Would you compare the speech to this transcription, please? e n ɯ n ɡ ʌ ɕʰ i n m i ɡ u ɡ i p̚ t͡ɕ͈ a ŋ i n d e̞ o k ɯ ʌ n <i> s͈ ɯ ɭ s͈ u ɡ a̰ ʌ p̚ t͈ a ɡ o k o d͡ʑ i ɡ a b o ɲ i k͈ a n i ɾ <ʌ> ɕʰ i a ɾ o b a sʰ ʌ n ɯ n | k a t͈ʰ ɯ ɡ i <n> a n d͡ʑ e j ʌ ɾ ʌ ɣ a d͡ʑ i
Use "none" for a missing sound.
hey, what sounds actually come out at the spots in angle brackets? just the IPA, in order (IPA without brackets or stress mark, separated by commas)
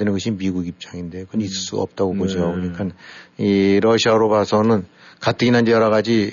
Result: i, ʌ, n